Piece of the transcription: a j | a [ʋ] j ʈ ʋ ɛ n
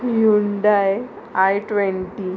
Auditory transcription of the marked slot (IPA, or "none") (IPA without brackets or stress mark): none